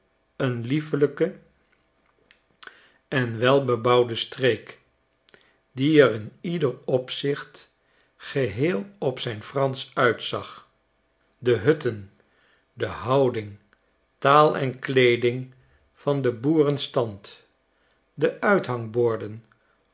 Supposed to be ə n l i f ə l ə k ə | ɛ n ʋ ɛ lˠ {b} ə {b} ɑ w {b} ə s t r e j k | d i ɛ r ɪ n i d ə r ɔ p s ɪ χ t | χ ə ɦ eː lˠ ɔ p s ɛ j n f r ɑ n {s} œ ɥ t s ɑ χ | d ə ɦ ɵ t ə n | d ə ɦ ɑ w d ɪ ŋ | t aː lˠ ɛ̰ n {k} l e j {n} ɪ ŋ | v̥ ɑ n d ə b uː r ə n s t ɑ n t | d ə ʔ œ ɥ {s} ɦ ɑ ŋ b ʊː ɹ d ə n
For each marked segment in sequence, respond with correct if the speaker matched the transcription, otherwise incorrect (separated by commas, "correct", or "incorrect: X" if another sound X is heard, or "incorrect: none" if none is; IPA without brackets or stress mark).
correct, correct, incorrect: d, correct, correct, incorrect: d, incorrect: t